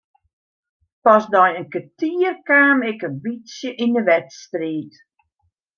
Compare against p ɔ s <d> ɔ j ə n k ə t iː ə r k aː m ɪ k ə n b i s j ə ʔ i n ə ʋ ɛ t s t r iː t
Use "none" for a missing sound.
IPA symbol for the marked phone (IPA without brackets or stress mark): d